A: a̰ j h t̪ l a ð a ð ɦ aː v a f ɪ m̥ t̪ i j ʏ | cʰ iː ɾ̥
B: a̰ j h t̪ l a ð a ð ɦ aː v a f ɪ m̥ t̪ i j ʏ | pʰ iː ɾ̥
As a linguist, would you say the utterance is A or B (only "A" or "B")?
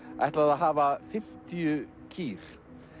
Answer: A